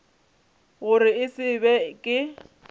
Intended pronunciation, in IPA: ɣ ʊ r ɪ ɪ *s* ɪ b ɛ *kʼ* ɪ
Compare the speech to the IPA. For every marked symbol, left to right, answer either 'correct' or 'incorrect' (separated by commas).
correct, correct